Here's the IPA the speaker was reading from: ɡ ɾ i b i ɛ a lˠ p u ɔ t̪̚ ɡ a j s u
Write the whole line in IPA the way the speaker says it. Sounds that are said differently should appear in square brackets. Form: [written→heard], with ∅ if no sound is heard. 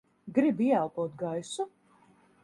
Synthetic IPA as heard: ɡ ɾ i b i ɛ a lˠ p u ɔ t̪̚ ɡ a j s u

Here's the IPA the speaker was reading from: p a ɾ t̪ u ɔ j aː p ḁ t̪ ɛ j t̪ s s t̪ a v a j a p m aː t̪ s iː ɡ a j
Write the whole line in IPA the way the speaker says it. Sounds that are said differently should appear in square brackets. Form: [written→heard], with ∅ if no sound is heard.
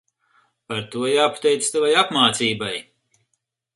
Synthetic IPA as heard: p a ɾ t̪ u ɔ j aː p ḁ t̪ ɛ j t̪ s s t̪ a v a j a p m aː t̪ s iː [ɡ→b] a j

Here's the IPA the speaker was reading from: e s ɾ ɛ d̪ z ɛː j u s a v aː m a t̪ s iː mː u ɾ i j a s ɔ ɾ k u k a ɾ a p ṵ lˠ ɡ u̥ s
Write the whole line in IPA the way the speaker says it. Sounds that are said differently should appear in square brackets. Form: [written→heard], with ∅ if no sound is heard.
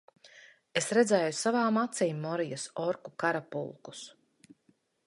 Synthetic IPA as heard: e s ɾ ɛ d̪ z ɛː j u s a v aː m a t̪ s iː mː [u→ɔ] ɾ i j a s ɔ ɾ k u k a ɾ a p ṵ lˠ [ɡ→k] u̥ s

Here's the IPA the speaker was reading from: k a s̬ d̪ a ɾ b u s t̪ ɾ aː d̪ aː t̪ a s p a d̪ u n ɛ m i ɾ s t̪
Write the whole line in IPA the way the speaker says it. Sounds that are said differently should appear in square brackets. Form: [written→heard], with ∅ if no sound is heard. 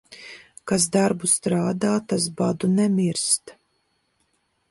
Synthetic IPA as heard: k a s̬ d̪ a ɾ b u s t̪ ɾ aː d̪ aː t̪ a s [p→b] a d̪ u n ɛ m i ɾ s t̪

